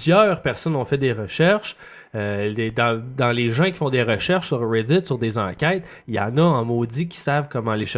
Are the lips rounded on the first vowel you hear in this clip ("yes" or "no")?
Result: yes